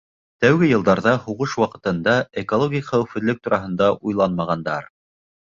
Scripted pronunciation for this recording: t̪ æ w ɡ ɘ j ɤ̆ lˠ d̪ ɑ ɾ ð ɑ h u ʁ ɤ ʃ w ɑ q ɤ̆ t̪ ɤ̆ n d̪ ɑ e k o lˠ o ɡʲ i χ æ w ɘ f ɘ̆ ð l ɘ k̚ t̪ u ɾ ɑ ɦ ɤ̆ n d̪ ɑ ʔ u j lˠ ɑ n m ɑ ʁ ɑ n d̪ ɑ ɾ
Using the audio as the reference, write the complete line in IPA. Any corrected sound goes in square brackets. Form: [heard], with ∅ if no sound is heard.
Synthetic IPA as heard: t̪ æ w ɡ ɘ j ɤ̆ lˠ d̪ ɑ ɾ ð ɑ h u ʁ ɤ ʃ w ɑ q ɤ̆ t̪ ɤ̆ n d̪ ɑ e k o lˠ o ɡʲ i χ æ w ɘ f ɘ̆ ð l ɘ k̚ t̪ u ɾ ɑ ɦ ɤ̆ n d̪ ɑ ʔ u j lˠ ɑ n m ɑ ʁ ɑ n d̪ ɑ ɾ